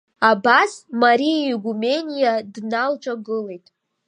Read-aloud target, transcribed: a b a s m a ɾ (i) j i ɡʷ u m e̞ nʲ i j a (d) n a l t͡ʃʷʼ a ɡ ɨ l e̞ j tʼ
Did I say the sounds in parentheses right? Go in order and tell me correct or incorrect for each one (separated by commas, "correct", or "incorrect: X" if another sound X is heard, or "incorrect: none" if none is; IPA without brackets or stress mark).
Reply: correct, correct